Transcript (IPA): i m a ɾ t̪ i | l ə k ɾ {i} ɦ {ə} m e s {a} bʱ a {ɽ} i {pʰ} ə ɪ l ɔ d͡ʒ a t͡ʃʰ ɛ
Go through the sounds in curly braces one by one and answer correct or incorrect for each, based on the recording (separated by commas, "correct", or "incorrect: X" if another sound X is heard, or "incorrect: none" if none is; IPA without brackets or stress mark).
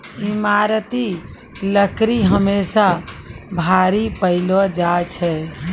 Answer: correct, correct, correct, incorrect: ɾ, incorrect: p